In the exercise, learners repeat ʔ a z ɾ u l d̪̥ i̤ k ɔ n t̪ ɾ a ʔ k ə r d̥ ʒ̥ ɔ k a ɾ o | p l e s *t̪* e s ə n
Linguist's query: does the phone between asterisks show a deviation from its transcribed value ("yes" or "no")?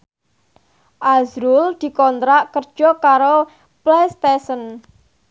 no